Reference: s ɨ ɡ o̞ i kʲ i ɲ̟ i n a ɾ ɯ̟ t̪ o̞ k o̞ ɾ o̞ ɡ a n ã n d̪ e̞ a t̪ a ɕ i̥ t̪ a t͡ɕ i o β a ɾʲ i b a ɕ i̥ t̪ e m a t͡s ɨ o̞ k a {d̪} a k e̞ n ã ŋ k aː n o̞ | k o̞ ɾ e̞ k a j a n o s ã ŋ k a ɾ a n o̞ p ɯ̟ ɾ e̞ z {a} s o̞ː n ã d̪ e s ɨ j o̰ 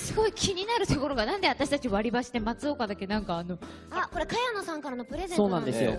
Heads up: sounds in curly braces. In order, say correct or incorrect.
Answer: correct, incorrect: e

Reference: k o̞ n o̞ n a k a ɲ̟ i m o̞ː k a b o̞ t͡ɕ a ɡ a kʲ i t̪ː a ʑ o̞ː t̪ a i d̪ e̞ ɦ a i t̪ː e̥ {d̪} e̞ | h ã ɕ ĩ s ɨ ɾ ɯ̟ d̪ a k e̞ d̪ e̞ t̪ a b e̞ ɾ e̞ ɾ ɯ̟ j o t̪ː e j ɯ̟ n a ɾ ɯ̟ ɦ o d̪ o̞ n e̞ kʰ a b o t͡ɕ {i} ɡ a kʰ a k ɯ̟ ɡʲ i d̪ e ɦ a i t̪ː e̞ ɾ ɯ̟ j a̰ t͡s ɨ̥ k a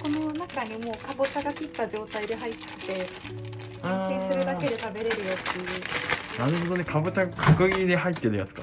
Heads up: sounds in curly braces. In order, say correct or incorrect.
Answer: incorrect: t̪, incorrect: a

